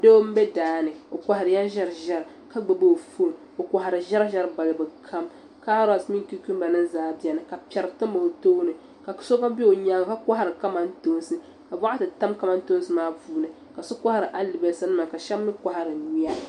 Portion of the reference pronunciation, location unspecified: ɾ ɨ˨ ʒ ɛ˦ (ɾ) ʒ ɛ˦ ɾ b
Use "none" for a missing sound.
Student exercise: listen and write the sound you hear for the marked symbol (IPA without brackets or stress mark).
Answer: ɾ